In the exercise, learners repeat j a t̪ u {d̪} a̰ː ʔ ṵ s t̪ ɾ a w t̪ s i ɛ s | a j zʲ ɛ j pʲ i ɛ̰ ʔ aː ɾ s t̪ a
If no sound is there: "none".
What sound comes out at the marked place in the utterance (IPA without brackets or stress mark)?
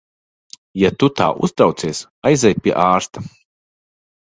t̪